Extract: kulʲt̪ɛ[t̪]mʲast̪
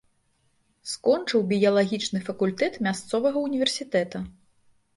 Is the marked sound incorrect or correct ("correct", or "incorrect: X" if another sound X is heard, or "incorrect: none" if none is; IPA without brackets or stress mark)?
correct